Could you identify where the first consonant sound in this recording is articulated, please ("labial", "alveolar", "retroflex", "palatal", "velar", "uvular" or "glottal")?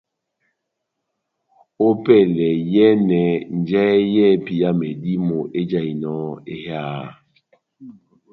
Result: labial